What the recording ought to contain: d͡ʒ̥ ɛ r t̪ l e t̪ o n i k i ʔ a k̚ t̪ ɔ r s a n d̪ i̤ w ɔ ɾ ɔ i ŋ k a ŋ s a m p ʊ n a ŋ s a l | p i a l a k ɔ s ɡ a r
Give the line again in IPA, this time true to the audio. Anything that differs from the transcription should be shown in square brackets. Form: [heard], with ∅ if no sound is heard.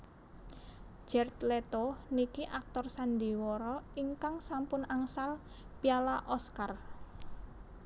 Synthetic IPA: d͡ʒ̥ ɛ r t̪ l e t̪ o n i k i ʔ a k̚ t̪ ɔ r s a n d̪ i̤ w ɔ ɾ ɔ i ŋ k a ŋ s a m p ʊ n a ŋ s a l | p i a l a [ʔ] ɔ s [k] a r